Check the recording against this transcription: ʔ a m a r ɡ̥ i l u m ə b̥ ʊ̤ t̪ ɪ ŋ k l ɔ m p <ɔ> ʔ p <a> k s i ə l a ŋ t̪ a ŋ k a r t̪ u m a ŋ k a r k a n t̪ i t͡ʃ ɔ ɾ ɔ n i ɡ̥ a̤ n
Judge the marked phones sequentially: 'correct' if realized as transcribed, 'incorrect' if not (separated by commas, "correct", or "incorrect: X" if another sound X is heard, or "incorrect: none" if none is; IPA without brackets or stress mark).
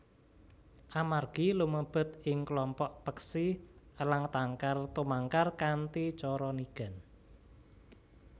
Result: correct, incorrect: ə